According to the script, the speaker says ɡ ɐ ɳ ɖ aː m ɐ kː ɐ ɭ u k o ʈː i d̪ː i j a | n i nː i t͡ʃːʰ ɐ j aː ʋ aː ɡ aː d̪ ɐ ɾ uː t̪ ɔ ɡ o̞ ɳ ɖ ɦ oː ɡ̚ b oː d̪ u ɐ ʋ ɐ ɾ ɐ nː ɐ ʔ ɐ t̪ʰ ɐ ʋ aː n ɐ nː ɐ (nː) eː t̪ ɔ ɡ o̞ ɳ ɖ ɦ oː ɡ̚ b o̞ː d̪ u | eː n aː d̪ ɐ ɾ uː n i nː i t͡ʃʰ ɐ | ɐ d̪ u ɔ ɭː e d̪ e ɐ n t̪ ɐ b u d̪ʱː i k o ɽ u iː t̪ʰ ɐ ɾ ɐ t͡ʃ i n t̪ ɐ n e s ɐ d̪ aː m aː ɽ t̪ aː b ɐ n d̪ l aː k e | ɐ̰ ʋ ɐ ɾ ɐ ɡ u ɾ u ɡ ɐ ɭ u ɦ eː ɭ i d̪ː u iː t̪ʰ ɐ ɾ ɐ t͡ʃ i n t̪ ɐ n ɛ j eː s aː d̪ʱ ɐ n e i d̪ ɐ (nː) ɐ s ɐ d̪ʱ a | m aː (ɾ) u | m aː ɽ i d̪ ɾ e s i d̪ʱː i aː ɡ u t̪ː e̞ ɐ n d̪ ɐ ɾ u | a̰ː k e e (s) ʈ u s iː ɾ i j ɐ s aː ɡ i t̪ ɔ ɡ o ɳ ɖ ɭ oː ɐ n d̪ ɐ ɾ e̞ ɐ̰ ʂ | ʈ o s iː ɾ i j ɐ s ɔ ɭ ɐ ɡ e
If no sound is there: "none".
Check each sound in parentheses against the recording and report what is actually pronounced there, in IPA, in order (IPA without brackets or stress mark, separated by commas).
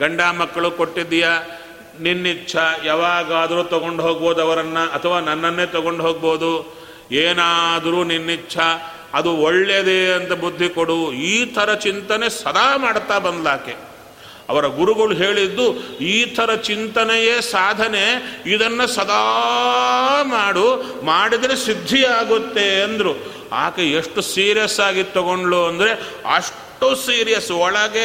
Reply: nː, nː, ɽ, ʂ